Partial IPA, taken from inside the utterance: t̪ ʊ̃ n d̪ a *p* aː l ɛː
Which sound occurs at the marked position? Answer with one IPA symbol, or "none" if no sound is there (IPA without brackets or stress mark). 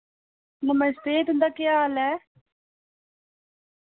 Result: k